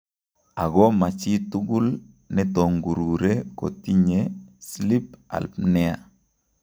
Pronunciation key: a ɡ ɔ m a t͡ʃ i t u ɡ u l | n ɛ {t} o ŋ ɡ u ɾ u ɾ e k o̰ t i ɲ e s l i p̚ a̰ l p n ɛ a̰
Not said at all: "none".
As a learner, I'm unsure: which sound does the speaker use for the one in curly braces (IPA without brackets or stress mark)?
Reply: t